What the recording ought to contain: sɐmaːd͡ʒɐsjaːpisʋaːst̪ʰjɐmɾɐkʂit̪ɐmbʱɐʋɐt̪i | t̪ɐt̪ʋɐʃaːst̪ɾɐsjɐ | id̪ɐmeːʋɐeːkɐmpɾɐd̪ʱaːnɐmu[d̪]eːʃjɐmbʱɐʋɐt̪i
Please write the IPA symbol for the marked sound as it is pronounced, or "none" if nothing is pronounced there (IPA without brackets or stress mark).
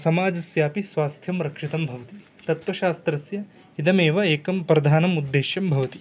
d̪ː